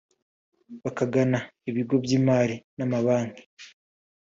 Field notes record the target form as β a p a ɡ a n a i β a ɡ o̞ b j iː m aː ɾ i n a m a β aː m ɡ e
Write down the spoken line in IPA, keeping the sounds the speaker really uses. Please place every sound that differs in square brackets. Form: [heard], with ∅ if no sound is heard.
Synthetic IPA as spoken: β a [k] a ɡ a n a i β [i] ɡ o̞ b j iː m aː ɾ i n a m a β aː [ŋ] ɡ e